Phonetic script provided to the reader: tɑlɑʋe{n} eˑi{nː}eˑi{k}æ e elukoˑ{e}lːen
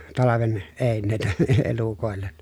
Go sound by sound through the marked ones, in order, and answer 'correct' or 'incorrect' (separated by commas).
correct, correct, incorrect, correct